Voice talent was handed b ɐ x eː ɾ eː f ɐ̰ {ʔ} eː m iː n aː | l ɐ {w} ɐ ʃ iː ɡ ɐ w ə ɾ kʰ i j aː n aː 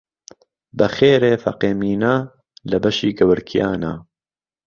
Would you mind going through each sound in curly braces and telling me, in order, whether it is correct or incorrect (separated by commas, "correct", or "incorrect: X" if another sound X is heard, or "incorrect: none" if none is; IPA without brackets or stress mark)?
incorrect: q, incorrect: b